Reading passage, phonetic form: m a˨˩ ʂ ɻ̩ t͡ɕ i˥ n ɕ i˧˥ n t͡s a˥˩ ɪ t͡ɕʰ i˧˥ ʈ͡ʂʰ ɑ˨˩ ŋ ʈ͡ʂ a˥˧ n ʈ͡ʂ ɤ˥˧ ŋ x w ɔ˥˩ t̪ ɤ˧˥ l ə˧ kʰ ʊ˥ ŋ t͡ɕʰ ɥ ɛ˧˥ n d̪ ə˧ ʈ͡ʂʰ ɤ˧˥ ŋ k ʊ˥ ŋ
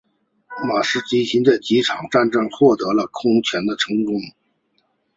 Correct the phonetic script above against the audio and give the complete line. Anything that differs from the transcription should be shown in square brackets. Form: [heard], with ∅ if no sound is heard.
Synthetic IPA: m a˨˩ ʂ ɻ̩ t͡ɕ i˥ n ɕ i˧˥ n t͡s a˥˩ ɪ [t͡ɕ] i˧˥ ʈ͡ʂʰ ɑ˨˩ ŋ ʈ͡ʂ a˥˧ n ʈ͡ʂ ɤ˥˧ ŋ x w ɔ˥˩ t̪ ɤ˧˥ l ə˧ kʰ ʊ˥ ŋ t͡ɕʰ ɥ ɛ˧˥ n d̪ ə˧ ʈ͡ʂʰ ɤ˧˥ ŋ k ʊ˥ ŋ